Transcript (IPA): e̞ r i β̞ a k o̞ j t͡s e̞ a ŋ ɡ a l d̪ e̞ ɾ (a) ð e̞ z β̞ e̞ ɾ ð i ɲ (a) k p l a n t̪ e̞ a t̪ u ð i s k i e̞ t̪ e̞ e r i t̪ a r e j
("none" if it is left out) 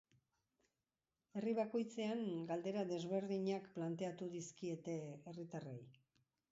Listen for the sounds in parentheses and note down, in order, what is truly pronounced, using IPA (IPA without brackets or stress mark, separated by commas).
a, a